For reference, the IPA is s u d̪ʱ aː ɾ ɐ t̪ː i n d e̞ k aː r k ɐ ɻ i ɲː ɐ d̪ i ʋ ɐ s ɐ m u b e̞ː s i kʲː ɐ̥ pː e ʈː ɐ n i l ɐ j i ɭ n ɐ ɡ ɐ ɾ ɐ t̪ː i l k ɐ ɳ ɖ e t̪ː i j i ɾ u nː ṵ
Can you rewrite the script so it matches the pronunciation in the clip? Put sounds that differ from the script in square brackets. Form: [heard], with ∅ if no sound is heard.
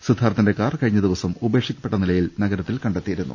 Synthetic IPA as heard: s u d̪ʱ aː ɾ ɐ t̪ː i n d e̞ k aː r k ɐ ɻ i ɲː ɐ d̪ i ʋ ɐ s ɐ m u b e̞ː [ʂ] i kʲː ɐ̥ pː e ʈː ɐ n i l ɐ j i [l] n ɐ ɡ ɐ ɾ ɐ t̪ː i l k ɐ ɳ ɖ e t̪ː i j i ɾ u nː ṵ